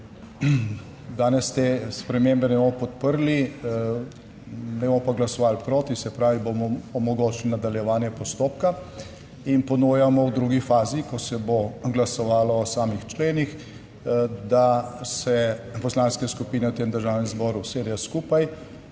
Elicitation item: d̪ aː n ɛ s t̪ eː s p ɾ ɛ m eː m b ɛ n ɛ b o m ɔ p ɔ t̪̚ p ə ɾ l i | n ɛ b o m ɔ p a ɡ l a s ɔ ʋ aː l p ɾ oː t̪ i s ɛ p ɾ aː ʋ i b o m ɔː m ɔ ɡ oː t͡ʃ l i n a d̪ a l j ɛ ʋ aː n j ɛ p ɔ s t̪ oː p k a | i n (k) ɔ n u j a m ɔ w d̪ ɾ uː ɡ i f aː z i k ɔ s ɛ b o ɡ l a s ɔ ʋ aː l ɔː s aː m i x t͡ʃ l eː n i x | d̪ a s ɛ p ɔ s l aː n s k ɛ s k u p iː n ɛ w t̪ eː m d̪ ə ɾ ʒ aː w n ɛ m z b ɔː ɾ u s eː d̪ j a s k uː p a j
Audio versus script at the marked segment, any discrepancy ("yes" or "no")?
yes